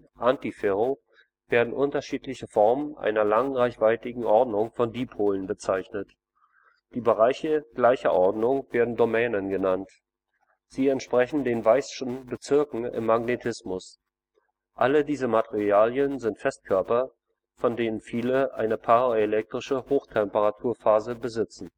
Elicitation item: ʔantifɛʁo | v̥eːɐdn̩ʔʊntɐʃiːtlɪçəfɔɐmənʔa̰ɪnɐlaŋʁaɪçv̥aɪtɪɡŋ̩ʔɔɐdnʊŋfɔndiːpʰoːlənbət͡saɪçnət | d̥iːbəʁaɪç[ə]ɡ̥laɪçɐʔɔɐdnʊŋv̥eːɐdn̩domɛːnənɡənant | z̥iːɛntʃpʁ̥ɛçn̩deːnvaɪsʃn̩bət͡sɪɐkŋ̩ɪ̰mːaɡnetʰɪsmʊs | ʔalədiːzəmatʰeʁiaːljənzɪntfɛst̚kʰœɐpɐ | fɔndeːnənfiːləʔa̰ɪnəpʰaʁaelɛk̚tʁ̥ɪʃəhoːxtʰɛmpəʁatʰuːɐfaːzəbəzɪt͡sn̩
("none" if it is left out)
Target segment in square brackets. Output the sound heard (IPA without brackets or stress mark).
ə